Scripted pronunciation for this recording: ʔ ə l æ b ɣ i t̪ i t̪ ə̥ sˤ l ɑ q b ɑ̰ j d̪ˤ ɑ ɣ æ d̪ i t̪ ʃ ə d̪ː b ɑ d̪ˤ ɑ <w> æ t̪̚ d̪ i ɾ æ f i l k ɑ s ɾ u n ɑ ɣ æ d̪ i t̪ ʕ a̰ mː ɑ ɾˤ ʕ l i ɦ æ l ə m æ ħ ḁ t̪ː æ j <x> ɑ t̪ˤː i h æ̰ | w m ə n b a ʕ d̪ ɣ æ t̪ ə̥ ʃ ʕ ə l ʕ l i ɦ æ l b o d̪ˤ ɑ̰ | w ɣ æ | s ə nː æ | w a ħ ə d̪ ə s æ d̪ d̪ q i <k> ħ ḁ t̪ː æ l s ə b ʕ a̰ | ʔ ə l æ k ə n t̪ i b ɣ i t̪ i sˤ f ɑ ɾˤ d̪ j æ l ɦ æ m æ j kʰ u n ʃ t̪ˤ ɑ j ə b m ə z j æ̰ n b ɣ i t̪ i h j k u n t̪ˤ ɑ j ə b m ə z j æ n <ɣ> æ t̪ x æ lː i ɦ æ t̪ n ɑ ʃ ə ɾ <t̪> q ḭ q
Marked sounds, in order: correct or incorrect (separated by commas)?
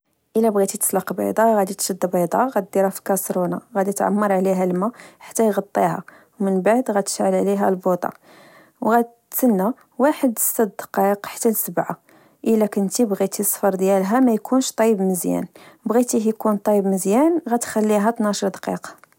incorrect, incorrect, incorrect, correct, incorrect